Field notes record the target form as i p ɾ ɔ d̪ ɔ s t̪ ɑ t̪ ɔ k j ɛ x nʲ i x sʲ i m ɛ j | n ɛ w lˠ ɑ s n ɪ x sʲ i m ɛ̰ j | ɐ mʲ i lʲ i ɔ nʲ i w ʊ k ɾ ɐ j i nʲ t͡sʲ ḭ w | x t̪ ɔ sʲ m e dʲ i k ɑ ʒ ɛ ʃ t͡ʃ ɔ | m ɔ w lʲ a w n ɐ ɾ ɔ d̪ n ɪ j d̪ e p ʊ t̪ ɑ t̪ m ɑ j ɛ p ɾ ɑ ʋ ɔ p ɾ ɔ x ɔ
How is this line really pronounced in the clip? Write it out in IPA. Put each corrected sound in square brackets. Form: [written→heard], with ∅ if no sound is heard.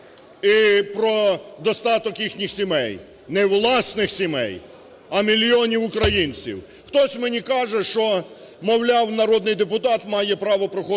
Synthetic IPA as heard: i p ɾ ɔ d̪ ɔ s t̪ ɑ t̪ ɔ k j [ɛ→i] x nʲ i x sʲ i m ɛ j | n ɛ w lˠ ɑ s n ɪ x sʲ i m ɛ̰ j | ɐ mʲ i lʲ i ɔ nʲ i w ʊ k ɾ ɐ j i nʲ t͡sʲ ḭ w | x t̪ ɔ sʲ m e [dʲ→nʲ] i k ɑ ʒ ɛ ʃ t͡ʃ ɔ | m ɔ w lʲ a w n ɐ ɾ ɔ d̪ n ɪ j d̪ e p ʊ t̪ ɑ t̪ m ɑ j ɛ p ɾ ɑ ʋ ɔ p ɾ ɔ x ɔ